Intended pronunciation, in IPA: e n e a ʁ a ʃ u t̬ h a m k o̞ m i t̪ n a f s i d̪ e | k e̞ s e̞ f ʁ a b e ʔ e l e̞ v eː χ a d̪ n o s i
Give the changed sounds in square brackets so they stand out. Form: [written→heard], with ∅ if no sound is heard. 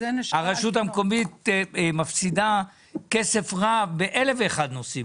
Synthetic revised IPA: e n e a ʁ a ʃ u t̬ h a m k o̞ m i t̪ [n→m] a f s i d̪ [e→a] | k e̞ s e̞ f ʁ a b e ʔ e l e̞ v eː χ a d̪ n o s i